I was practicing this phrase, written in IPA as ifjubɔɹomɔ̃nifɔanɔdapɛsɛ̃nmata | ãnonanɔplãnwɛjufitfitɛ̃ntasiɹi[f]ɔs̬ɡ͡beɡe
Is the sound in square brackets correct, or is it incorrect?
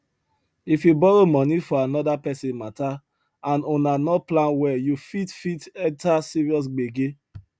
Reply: incorrect: none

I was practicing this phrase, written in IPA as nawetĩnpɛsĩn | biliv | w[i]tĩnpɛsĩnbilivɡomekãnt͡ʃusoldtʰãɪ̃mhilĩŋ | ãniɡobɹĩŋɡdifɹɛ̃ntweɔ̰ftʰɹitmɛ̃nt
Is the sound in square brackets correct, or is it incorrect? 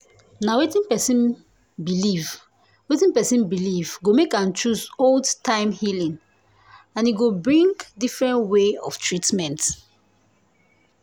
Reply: incorrect: e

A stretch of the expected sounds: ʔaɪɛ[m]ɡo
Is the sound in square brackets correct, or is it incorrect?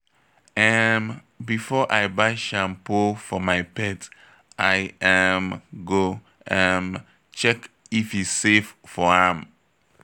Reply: correct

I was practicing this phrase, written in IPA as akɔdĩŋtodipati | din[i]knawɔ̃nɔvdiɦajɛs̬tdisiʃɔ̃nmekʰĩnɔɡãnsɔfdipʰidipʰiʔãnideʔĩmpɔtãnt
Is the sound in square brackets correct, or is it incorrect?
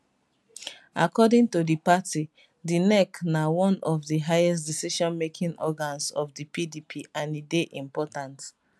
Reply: incorrect: ɛ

